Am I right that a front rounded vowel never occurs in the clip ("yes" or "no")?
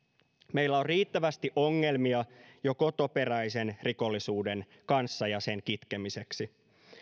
yes